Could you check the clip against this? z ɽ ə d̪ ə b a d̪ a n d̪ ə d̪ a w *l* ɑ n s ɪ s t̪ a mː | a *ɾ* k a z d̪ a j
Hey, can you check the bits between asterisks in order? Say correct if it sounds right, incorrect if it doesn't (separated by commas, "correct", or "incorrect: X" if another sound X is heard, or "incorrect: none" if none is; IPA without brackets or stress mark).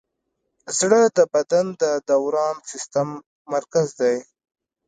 incorrect: ɾ, correct